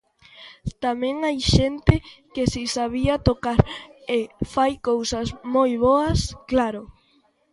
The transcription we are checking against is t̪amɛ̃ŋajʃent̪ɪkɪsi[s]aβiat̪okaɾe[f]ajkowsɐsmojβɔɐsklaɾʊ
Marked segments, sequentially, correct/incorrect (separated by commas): correct, correct